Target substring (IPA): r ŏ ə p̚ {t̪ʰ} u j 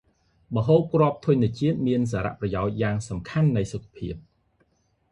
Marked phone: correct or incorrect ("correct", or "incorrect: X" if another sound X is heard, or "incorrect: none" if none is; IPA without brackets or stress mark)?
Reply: correct